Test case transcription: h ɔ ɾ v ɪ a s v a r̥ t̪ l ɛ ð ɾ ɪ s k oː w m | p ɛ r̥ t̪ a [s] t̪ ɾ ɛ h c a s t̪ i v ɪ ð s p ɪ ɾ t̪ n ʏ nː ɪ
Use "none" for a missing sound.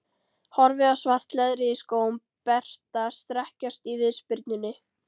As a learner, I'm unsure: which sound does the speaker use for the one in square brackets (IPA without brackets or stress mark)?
s